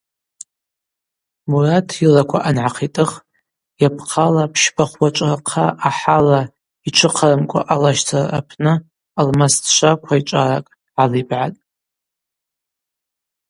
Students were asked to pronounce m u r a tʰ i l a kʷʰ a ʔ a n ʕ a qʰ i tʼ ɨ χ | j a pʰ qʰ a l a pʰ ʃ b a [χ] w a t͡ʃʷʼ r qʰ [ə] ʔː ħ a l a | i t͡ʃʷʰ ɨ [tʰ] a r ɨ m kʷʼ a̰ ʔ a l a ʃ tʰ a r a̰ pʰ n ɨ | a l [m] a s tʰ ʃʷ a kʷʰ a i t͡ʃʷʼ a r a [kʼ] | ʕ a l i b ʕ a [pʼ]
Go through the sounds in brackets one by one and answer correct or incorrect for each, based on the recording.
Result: correct, incorrect, incorrect, correct, correct, incorrect

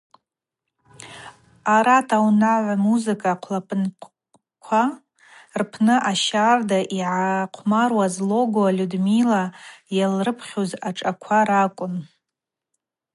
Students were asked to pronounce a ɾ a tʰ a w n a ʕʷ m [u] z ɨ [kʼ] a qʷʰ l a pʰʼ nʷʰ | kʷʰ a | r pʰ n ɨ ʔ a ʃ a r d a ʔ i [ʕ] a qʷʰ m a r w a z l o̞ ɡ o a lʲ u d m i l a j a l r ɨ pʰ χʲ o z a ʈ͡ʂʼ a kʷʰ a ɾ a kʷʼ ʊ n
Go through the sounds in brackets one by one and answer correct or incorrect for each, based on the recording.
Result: correct, correct, correct

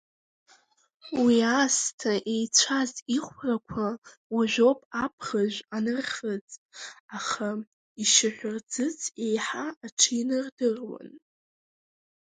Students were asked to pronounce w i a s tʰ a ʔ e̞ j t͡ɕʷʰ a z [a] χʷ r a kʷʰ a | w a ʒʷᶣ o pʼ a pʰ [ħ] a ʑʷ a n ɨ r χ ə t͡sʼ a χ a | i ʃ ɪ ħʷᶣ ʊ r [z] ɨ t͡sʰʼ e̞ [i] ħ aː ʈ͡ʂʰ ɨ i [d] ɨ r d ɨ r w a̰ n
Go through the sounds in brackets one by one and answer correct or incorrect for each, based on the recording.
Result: incorrect, incorrect, incorrect, incorrect, incorrect

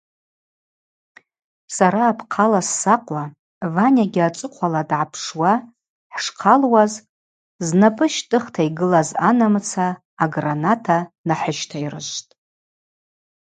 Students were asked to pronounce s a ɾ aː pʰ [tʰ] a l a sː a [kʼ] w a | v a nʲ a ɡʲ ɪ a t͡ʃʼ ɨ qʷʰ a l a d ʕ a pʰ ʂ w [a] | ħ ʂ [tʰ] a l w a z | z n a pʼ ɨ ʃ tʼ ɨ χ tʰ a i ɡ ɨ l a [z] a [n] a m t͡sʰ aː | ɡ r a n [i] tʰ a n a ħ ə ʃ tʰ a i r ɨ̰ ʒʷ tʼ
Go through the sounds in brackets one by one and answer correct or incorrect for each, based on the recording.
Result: incorrect, incorrect, correct, incorrect, correct, correct, incorrect

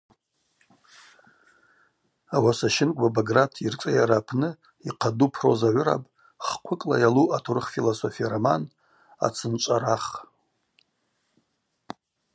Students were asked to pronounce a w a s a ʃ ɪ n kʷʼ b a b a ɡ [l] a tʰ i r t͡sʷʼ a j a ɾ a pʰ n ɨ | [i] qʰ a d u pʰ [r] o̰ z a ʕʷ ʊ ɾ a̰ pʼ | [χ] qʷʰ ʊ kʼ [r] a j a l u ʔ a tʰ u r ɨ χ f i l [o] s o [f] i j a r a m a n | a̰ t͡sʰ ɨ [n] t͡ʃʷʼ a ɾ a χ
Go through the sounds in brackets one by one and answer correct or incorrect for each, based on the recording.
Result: incorrect, correct, correct, correct, incorrect, correct, correct, correct

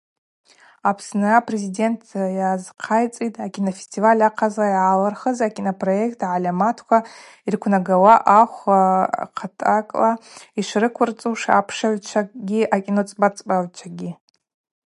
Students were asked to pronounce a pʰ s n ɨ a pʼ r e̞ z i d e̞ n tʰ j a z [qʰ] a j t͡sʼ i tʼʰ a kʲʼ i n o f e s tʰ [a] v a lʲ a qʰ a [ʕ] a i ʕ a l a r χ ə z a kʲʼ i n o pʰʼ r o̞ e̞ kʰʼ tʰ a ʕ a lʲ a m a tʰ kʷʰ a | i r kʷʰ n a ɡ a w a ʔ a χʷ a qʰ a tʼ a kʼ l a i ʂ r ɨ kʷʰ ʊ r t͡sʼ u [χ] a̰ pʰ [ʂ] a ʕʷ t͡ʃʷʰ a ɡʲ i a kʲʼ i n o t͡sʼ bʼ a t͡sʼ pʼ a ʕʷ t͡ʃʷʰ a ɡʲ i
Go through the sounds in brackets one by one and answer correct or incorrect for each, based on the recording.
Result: correct, incorrect, incorrect, incorrect, correct

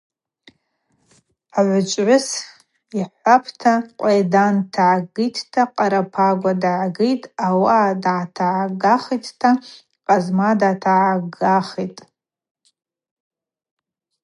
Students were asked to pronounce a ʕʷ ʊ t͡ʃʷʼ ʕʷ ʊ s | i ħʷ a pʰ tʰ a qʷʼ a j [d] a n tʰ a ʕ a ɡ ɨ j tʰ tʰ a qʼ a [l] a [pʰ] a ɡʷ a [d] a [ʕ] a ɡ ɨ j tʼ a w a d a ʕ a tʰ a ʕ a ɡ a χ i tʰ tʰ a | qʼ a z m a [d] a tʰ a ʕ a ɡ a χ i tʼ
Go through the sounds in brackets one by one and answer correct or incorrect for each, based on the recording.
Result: correct, incorrect, correct, correct, correct, correct

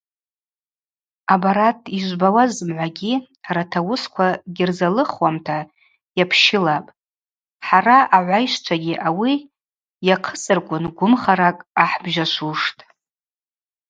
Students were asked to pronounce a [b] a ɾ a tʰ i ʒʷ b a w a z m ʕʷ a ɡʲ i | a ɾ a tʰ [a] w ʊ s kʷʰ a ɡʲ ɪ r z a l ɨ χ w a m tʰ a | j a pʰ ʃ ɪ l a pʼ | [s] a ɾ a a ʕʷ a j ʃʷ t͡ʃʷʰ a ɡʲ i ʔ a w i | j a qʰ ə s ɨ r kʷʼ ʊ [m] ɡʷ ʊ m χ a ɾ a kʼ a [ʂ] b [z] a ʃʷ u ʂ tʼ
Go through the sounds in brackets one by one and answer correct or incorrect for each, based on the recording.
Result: correct, correct, incorrect, incorrect, incorrect, incorrect

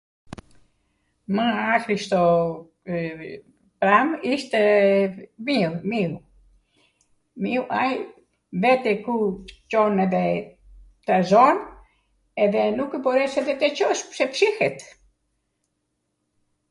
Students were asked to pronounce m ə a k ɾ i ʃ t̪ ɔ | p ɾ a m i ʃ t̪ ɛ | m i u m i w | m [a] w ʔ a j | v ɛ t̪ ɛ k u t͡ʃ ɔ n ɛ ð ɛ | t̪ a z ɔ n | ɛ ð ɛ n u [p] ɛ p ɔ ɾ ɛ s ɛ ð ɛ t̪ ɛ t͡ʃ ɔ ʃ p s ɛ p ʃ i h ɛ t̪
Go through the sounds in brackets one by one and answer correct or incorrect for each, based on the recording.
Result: incorrect, incorrect

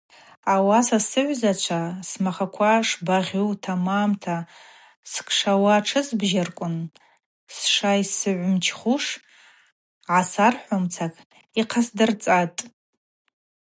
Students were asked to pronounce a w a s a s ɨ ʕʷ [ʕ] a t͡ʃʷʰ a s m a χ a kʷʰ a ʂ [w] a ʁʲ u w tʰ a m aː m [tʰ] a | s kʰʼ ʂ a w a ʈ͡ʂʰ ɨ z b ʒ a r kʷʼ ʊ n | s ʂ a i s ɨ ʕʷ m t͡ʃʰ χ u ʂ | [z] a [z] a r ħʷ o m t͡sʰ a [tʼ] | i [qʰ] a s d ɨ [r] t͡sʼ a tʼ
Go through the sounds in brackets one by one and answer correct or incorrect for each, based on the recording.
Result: incorrect, incorrect, correct, incorrect, incorrect, incorrect, correct, correct

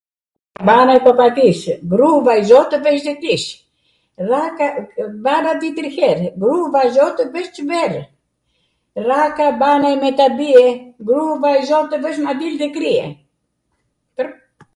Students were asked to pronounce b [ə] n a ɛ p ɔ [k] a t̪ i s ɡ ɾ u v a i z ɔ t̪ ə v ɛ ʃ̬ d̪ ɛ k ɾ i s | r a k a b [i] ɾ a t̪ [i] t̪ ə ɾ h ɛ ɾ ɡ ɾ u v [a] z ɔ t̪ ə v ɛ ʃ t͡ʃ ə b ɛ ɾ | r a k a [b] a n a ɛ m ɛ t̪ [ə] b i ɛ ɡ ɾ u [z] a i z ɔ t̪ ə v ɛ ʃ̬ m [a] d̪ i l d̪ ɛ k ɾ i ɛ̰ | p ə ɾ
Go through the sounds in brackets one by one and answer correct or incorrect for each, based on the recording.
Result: incorrect, incorrect, incorrect, correct, correct, correct, incorrect, incorrect, correct

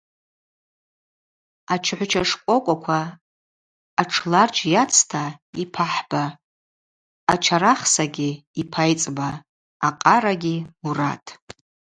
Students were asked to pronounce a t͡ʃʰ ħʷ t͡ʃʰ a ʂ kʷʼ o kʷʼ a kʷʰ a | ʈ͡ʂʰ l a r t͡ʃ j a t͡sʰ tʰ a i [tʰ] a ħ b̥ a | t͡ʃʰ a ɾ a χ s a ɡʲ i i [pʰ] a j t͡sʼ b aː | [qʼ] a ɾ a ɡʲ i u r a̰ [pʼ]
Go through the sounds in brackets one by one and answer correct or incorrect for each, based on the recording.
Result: incorrect, correct, correct, incorrect

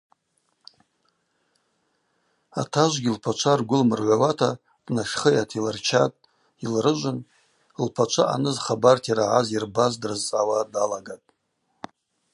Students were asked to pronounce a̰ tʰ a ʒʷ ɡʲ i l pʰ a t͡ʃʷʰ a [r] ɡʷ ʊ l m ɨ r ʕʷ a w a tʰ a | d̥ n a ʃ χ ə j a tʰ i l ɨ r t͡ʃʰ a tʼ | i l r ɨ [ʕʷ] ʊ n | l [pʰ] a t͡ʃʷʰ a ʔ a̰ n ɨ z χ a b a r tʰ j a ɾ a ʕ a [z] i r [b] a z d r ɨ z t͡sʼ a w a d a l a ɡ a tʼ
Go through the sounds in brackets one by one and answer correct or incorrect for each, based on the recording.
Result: correct, incorrect, correct, correct, correct

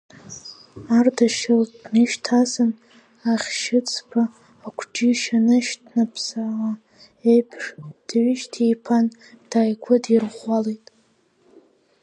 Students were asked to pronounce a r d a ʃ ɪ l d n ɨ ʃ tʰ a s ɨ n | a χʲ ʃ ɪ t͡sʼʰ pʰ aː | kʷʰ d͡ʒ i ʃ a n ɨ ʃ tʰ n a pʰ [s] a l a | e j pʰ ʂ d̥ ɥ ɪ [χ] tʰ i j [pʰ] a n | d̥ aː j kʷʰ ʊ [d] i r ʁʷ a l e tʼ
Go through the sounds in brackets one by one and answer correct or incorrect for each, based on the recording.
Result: correct, incorrect, correct, correct

